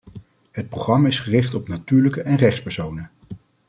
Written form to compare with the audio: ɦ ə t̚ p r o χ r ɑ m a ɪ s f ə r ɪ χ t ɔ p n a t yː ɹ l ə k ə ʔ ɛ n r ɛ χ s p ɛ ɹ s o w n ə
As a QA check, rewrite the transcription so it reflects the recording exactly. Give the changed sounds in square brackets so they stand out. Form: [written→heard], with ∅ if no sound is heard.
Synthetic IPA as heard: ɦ ə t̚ p r o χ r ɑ m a ɪ s [f→χ] ə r ɪ χ t ɔ p n a t yː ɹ l ə k ə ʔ ɛ n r ɛ χ s p ɛ ɹ s o w n ə